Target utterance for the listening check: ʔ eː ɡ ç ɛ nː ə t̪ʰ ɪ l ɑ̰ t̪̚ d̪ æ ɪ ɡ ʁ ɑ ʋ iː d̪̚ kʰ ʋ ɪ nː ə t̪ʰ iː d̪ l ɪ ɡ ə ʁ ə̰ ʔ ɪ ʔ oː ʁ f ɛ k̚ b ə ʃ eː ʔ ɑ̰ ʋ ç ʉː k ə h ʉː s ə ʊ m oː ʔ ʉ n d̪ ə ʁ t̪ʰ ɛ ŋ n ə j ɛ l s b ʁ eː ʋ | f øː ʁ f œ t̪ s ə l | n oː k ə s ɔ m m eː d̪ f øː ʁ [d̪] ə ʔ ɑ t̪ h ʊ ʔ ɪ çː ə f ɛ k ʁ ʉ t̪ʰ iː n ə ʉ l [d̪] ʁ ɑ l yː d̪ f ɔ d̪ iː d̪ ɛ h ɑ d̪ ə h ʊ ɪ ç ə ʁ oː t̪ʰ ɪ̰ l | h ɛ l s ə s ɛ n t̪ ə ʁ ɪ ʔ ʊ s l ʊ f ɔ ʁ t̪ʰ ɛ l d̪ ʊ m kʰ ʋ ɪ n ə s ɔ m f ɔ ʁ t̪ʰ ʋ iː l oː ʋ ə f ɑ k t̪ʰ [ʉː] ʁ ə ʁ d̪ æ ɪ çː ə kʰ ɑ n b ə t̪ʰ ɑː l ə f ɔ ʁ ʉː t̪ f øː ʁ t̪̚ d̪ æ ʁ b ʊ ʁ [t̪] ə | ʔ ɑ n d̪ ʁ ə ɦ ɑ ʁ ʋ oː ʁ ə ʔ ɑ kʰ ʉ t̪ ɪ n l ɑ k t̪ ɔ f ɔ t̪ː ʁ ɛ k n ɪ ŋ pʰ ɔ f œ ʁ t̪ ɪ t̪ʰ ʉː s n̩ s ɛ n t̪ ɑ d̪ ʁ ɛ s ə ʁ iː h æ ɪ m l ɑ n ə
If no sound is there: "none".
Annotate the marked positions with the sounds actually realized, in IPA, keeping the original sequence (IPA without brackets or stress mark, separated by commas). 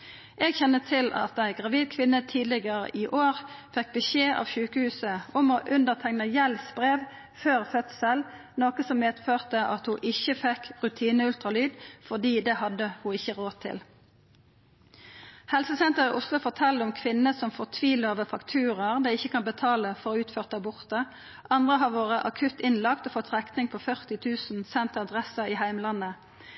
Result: t̪, t̪, ʉː, t̪